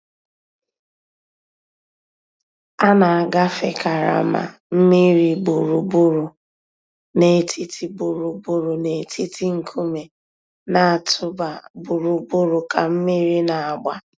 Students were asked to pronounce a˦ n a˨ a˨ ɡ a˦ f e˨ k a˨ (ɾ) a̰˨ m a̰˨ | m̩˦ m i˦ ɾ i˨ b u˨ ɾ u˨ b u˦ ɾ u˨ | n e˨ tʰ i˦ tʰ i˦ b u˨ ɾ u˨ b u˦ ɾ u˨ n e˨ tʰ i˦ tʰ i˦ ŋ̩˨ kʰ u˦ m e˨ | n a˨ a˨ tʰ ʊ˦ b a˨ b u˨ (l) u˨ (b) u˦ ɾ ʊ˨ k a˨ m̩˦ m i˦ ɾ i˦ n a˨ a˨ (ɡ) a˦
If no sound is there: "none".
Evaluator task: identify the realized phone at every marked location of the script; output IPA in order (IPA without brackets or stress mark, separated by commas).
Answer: ɾ, ɾ, b, ɡ͡b